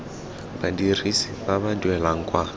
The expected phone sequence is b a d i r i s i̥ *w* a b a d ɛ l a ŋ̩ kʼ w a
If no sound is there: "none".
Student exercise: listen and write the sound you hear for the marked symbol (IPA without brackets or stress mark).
b